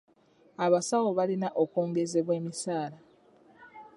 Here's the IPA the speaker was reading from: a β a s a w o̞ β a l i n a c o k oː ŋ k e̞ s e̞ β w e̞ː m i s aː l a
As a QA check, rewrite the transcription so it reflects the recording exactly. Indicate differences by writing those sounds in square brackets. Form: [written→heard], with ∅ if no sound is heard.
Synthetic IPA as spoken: a β a s a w o̞ β a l i n a [c→ʔ] o k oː ŋ [k→ɡ] e̞ [s→z] e̞ β w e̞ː m i s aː l a